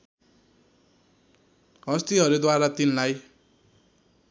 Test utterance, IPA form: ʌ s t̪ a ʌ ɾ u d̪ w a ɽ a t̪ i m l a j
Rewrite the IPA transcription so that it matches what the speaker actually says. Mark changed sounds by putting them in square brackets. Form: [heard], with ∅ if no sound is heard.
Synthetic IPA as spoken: ʌ s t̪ [i] ʌ ɾ u d̪ w a [ɾ] a t̪ i [n] l a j

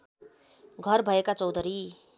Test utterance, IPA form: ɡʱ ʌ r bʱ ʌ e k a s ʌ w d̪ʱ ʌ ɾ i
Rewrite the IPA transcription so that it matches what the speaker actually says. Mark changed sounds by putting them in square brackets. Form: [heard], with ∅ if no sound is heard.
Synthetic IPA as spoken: ɡʱ ʌ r bʱ ʌ e k a [t͡s] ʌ w d̪ʱ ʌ ɾ i

